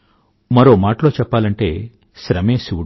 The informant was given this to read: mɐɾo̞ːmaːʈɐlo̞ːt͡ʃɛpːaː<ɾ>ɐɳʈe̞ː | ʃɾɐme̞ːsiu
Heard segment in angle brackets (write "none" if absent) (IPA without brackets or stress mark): l